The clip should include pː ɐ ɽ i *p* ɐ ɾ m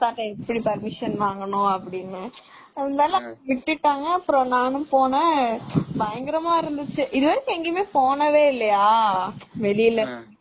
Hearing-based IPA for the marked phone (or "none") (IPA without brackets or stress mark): p